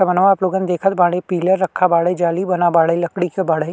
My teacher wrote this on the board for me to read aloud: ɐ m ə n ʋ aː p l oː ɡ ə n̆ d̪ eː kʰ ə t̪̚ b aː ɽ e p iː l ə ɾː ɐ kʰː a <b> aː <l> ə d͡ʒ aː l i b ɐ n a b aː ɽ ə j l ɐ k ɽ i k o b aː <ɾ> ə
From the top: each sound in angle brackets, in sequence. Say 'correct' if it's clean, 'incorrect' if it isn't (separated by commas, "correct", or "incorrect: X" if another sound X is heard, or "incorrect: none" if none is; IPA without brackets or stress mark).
correct, incorrect: ɽ, incorrect: ɽ